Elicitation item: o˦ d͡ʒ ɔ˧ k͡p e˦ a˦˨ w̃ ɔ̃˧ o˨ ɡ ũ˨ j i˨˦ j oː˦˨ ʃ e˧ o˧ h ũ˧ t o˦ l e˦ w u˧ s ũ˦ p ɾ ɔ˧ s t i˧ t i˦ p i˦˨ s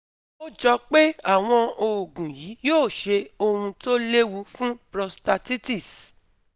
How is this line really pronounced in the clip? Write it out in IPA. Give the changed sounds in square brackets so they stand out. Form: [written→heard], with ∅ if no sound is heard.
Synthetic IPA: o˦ d͡ʒ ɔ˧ k͡p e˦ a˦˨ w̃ ɔ̃˧ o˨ ɡ ũ˨ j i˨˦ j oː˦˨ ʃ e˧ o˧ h ũ˧ t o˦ l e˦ w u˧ [s→f] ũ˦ p ɾ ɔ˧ s t [i˧→a˧] t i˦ [p→t] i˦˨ s